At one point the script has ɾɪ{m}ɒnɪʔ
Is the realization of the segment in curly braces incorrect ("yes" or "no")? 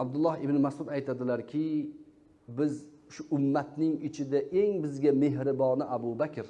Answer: yes